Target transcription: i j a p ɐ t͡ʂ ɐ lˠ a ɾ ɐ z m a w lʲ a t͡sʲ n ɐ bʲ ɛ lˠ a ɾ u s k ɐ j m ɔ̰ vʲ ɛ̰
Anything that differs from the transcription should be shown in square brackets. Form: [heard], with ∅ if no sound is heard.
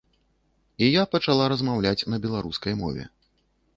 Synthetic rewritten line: i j a p ɐ t͡ʂ [a] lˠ a ɾ ɐ z m a w lʲ a t͡sʲ n ɐ bʲ ɛ lˠ a ɾ u s k ɐ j m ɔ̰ vʲ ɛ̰